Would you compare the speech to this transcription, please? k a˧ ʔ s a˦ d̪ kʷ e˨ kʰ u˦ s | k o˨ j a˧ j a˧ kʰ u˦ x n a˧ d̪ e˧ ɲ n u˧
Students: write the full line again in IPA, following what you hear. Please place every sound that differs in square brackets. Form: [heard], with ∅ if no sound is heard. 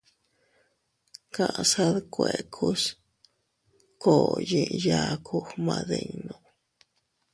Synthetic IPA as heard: k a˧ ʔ s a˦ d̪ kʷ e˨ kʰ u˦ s | k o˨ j [i˧] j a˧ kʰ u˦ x [m] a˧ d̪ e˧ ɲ n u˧